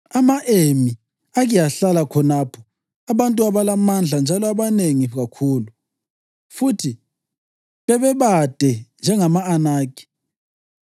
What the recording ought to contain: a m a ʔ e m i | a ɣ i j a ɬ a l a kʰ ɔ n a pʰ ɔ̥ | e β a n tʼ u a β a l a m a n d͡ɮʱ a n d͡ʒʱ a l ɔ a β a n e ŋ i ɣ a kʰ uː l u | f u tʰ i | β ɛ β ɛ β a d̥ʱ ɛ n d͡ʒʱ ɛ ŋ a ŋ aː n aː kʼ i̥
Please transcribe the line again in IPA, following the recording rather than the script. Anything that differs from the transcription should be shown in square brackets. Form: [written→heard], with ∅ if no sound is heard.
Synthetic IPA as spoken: a m a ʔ e m i | a ɣ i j a ɬ a l a kʰ ɔ n a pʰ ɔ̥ | [e→a] β a n tʼ u a β a l a m a n d͡ɮʱ a n d͡ʒʱ a l ɔ a β a n e ŋ i ɣ a kʰ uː l u | f u tʰ i | β ɛ β ɛ β a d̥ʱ ɛ n d͡ʒʱ ɛ ŋ a [ŋ→m] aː n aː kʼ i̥

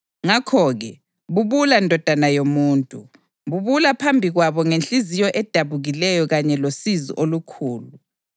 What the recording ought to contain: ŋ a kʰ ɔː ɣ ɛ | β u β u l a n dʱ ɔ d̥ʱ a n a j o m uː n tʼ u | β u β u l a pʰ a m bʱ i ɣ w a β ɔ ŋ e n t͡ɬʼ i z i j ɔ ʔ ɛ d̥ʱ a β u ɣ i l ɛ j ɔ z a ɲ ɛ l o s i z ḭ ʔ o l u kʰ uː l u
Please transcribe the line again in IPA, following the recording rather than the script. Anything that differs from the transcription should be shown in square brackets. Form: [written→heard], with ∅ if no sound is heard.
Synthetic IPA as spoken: ŋ a kʰ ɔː ɣ ɛ | β u β u l a n dʱ ɔ d̥ʱ a n a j o m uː n tʼ u | β u β u l a pʰ a m bʱ i ɣ w a β ɔ ŋ e n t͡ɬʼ i z i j ɔ ʔ ɛ d̥ʱ a β u ɣ i l ɛ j ɔ [z→ɣ] a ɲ ɛ l o s i z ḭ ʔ o l u kʰ uː l u

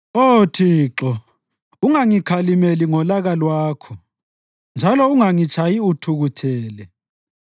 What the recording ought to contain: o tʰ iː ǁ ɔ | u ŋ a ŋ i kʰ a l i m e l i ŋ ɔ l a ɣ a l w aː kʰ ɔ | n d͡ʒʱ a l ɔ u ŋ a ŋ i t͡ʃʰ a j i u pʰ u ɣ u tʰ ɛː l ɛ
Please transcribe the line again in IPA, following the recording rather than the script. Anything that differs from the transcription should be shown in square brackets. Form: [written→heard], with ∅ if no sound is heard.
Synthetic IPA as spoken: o tʰ iː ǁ ɔ | u ŋ a ŋ i kʰ a l i m e l i ŋ ɔ l a ɣ a l w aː kʰ ɔ | n d͡ʒʱ a l ɔ u ŋ a ŋ i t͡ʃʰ a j i u [pʰ→tʰ] u ɣ u tʰ ɛː l ɛ

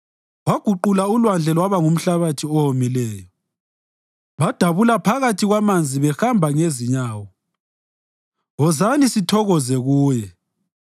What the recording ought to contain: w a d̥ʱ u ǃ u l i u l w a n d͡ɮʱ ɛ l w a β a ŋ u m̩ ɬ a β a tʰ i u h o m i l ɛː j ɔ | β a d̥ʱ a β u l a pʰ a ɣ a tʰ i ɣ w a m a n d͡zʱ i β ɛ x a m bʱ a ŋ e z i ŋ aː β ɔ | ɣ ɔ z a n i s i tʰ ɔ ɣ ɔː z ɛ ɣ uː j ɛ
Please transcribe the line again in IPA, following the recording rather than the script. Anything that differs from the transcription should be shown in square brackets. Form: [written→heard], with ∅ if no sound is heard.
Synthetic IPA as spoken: w a [d̥ʱ→ɡ̥ʱ] u ǃ u l [i→a] u l w a n d͡ɮʱ ɛ l w a β a ŋ u m̩ ɬ a β a tʰ i [u→ɔ] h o m i l ɛː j ɔ | β a d̥ʱ a β u l a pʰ a ɣ a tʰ i ɣ w a m a n d͡zʱ i β ɛ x a m bʱ a ŋ e z i [ŋ→ɲ] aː [β→w] ɔ | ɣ ɔ z a n i s i tʰ ɔ ɣ [ɔː→ɔ] z ɛ ɣ uː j ɛ

